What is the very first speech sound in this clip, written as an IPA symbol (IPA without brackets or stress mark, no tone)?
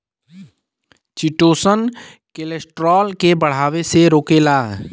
t͡ʃ